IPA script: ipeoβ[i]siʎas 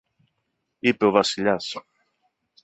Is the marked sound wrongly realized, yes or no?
yes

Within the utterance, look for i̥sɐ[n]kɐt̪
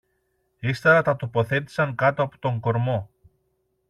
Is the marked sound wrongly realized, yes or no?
yes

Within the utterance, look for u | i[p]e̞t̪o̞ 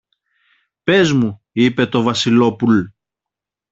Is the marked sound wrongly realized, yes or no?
no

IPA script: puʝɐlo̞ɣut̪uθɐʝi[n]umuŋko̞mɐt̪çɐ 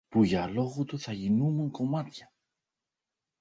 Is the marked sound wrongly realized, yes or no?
no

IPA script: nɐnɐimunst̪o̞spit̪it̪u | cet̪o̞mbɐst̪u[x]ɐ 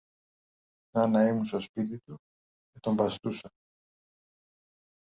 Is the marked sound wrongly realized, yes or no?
yes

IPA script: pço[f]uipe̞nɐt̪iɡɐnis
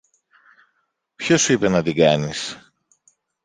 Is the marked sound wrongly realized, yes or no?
yes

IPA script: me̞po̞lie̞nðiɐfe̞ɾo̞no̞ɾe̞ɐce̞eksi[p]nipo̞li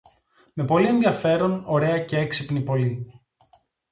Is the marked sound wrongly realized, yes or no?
no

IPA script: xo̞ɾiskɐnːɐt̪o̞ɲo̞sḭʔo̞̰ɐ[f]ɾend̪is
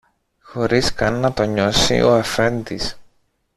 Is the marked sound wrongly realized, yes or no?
no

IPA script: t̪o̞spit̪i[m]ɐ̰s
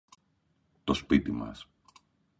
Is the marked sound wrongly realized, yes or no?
no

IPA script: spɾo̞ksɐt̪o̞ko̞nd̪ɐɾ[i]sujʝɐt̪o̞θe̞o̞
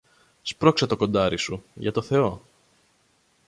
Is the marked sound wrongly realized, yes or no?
no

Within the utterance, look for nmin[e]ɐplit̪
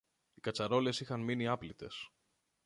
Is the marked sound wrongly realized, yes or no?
yes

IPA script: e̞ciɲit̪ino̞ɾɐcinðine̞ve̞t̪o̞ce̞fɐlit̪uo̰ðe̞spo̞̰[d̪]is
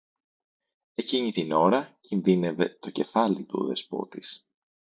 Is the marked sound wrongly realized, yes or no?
yes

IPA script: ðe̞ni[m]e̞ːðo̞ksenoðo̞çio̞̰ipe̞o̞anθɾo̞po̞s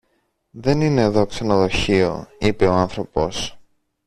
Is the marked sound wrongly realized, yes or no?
yes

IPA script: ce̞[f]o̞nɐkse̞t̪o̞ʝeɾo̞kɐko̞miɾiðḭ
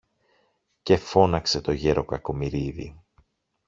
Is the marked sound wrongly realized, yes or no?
no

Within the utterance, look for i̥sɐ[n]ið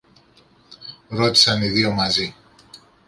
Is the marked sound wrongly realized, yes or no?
no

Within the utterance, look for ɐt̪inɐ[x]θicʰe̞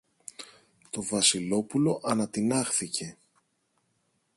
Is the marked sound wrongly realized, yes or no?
no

